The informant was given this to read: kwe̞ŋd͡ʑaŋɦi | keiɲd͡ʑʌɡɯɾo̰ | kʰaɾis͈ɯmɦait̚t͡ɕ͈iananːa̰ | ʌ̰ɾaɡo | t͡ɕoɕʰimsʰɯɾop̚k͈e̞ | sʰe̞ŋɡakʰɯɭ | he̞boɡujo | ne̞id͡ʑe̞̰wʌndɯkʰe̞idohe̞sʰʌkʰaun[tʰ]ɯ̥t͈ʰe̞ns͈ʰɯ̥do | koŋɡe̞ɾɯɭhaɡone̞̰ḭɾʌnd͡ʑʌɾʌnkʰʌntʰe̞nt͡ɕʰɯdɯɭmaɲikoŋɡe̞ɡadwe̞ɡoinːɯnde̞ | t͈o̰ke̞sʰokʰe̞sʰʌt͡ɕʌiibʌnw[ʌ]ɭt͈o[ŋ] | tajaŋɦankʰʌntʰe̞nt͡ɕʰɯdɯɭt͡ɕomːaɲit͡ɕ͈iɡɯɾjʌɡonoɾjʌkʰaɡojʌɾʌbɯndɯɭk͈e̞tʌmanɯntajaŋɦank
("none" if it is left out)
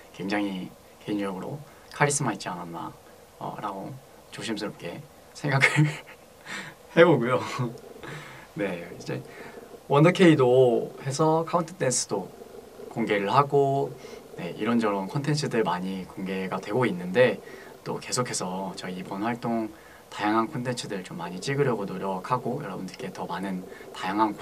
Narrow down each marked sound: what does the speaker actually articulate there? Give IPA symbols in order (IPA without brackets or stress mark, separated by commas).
tʰ, a, ŋ